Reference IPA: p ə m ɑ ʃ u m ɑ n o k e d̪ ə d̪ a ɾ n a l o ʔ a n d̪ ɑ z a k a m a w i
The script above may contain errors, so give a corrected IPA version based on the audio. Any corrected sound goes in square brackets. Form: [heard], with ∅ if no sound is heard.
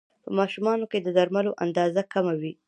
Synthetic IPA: p ə m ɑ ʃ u m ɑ n o k e d̪ ə d̪ a ɾ [m] a l o ʔ a n d̪ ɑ z a k a m a w i